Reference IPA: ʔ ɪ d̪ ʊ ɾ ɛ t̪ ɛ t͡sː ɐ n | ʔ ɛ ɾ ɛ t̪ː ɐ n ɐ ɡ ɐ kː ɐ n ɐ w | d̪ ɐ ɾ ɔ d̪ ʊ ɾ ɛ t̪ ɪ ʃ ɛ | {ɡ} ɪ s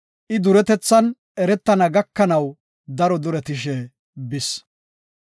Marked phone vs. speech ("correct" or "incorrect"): incorrect